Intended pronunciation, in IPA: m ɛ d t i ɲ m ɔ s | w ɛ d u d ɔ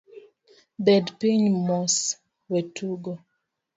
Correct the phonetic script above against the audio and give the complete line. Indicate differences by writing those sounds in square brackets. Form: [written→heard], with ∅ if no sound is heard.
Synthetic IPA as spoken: [m→b] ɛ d [t→p] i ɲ m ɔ s | w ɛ [d→t] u [d→ɡ] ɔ

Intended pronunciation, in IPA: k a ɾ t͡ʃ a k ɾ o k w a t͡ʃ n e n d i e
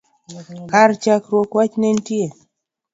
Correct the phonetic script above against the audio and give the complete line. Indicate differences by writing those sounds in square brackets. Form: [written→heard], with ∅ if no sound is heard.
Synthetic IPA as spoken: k a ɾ t͡ʃ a k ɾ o k w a t͡ʃ n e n [d→t] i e

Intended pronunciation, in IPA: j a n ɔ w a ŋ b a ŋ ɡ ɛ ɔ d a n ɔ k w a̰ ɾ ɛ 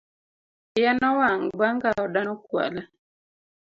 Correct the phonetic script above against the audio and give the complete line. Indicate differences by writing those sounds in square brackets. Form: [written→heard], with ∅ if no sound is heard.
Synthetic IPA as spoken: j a n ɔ w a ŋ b a ŋ ɡ [ɛ→a] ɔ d a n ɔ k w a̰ [ɾ→l] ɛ

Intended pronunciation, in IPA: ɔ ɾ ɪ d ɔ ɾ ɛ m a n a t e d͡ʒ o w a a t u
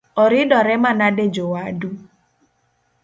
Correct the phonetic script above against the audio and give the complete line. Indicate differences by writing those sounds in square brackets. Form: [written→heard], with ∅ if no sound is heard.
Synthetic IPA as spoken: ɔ ɾ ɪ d ɔ ɾ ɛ m a n a [t→d] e d͡ʒ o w a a [t→d] u

